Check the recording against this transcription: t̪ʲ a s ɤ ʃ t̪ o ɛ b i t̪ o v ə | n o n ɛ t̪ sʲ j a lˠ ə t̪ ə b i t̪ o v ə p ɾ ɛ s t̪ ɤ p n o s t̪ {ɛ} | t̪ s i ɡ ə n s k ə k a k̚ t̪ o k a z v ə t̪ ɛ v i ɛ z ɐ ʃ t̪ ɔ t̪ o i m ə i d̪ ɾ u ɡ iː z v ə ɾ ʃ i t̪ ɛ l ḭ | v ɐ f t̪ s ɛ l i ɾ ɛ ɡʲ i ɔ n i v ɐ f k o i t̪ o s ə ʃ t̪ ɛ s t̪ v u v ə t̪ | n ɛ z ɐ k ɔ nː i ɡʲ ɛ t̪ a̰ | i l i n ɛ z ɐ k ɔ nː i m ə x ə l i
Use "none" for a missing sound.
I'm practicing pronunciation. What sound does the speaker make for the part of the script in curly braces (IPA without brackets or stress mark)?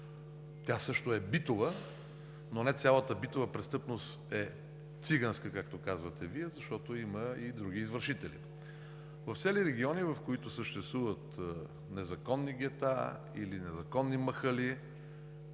ɛ